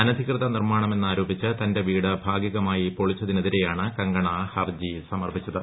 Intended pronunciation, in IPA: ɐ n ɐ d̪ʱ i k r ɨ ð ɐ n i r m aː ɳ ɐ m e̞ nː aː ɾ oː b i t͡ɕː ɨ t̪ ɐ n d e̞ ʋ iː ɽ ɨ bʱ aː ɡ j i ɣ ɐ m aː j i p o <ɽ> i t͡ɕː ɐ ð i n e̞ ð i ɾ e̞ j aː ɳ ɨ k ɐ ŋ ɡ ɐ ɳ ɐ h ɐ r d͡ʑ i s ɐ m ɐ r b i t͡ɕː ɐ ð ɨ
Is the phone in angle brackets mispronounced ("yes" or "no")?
yes